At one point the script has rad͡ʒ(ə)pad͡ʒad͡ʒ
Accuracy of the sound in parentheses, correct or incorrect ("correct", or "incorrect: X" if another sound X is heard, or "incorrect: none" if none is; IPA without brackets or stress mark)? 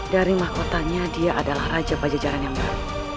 incorrect: a